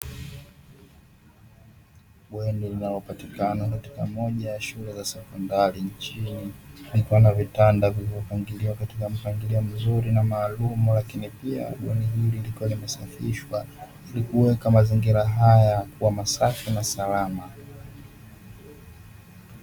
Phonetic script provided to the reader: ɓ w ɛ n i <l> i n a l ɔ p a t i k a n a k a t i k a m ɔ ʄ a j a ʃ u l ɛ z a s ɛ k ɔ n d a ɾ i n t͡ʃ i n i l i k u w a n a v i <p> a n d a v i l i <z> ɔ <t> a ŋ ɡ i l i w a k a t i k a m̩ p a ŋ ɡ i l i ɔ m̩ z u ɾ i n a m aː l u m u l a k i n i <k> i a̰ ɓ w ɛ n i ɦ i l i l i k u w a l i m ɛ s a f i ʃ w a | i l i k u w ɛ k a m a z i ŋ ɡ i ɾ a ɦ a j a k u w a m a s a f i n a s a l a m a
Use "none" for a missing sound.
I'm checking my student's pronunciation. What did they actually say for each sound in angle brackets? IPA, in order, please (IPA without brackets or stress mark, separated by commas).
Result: l, t, v, p, p